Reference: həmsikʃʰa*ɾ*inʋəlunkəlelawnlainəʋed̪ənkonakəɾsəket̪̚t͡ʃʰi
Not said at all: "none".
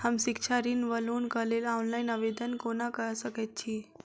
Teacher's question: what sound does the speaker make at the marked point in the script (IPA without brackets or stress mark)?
ɾ